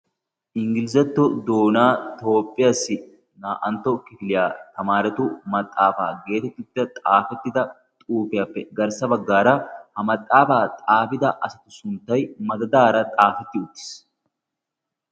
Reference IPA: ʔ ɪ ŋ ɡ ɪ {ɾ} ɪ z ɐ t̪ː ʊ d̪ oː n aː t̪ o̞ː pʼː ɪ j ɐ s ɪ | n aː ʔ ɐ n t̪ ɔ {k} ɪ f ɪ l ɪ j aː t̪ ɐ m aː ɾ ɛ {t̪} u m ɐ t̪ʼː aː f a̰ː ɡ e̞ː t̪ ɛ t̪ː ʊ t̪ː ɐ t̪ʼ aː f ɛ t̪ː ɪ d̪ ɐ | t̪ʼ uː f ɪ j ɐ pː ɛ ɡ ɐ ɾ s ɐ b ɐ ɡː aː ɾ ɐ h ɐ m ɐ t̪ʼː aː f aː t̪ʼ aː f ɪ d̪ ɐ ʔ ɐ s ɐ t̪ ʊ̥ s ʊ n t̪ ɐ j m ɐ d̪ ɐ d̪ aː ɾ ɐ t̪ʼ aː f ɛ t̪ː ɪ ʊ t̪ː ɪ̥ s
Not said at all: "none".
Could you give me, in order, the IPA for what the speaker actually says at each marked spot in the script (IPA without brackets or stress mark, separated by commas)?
l, k, t̪